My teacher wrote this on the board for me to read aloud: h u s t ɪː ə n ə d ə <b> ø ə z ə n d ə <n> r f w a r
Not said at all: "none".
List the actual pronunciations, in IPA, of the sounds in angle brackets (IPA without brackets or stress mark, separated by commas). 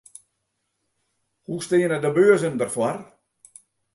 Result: b, none